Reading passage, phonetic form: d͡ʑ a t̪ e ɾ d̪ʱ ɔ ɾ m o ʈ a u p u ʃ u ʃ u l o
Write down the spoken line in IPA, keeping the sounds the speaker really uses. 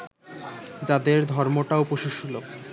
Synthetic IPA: d͡ʑ a d̪ e ɾ d̪ʱ ɔ ɾ m o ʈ a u p o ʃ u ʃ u l o